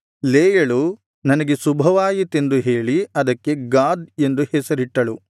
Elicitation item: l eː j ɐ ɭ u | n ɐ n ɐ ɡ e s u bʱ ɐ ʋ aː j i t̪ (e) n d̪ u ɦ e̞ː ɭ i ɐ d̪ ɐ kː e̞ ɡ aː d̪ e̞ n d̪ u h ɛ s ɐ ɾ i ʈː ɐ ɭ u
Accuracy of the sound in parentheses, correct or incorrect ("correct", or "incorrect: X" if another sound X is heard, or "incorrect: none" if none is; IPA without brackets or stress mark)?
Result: correct